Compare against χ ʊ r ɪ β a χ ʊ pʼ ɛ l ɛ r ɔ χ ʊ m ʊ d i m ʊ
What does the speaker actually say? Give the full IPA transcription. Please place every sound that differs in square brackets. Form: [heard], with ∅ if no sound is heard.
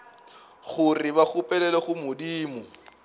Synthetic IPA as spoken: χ ʊ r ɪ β a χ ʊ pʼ ɛ l ɛ [l] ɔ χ ʊ m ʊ d [iː] m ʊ